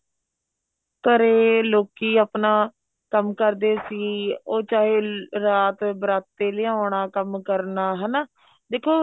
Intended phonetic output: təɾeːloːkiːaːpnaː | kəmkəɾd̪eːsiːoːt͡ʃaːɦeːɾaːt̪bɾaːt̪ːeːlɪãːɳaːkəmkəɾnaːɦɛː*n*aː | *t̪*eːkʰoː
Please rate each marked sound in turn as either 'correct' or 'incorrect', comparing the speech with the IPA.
correct, incorrect

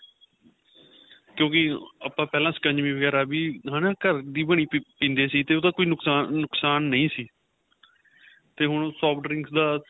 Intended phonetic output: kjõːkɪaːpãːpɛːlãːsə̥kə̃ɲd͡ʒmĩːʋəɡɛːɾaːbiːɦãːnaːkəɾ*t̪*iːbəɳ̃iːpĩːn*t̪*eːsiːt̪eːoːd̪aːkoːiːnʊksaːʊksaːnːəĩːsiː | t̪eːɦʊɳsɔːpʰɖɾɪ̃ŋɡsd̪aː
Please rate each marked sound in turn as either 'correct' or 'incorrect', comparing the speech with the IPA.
incorrect, incorrect

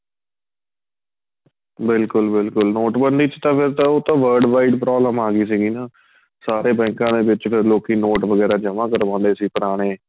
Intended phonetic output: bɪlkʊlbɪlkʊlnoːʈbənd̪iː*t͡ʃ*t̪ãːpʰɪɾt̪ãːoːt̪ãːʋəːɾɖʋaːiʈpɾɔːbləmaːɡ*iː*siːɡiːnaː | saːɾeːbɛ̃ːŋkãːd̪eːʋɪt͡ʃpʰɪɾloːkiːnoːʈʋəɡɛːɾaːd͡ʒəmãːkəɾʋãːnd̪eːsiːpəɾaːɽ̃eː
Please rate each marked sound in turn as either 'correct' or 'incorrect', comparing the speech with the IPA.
correct, correct

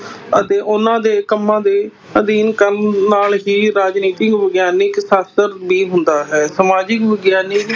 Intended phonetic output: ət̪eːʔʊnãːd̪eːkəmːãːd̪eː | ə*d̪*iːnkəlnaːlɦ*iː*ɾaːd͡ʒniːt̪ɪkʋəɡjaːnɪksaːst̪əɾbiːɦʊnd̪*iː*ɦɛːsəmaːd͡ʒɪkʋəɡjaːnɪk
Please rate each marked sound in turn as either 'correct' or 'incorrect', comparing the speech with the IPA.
correct, correct, incorrect

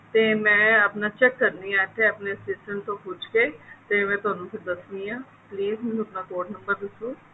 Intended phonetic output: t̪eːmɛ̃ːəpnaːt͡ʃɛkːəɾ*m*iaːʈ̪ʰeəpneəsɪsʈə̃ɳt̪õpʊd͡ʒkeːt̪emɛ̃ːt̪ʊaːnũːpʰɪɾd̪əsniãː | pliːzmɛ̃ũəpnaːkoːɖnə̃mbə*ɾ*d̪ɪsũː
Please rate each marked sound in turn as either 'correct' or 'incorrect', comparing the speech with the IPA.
incorrect, correct

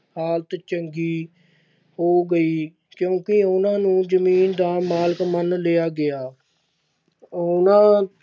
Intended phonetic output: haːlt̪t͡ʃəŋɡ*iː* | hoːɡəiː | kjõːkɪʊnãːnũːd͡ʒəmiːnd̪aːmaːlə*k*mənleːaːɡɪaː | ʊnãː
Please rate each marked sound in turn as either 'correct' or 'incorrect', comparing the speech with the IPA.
correct, correct

